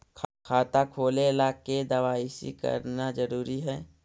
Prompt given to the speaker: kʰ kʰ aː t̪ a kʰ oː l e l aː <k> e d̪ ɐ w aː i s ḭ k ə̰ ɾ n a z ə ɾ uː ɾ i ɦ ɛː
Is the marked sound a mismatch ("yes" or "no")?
no